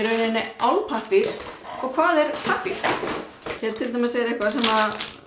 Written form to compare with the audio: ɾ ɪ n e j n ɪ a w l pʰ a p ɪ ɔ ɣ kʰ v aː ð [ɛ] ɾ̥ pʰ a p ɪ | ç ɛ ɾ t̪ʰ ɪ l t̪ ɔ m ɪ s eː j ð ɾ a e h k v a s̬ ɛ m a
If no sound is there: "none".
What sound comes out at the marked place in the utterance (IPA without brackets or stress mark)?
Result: ɛ